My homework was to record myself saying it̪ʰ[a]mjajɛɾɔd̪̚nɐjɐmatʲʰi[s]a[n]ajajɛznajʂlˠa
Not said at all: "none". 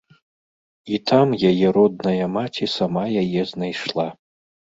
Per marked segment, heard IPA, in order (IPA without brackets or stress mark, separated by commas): a, s, m